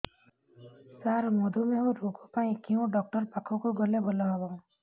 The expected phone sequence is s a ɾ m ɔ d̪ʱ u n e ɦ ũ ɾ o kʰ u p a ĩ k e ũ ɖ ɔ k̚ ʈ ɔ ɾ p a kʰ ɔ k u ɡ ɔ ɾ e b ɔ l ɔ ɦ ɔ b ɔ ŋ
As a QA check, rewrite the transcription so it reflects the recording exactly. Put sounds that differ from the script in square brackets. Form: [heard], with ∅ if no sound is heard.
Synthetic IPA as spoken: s a ɾ m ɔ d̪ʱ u [m] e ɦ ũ ɾ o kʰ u p a ĩ k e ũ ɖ ɔ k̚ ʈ ɔ ɾ p a kʰ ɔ k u ɡ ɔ [l] e b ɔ l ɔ ɦ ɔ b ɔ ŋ